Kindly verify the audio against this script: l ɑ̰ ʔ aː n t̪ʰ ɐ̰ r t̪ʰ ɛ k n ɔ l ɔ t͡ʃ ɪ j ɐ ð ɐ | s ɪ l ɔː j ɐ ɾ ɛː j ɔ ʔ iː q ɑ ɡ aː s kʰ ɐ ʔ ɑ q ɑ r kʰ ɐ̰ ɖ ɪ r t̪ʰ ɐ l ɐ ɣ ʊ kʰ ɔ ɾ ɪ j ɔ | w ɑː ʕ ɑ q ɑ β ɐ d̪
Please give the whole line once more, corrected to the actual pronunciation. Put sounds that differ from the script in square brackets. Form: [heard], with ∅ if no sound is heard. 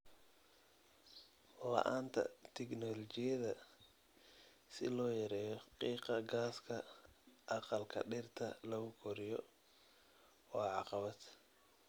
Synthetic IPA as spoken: l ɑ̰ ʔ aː n t̪ʰ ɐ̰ [∅] t̪ʰ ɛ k n ɔ l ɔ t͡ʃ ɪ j ɐ ð ɐ | s ɪ l ɔː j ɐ ɾ ɛː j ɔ [q] iː q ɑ ɡ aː s kʰ ɐ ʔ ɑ q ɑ [l] kʰ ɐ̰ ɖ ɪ r t̪ʰ ɐ l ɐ ɣ ʊ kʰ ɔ ɾ ɪ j ɔ | w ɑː ʕ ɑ q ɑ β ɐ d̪